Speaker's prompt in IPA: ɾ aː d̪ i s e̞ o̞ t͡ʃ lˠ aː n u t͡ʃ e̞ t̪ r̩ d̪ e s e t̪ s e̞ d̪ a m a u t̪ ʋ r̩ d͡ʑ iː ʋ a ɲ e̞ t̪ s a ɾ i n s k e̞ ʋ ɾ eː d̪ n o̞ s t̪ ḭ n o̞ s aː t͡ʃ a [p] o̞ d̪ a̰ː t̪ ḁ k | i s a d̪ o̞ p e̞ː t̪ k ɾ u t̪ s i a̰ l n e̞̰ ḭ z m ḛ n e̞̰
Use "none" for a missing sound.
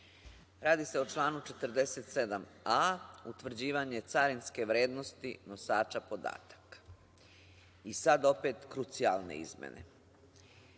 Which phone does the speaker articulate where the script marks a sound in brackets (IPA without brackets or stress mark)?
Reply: p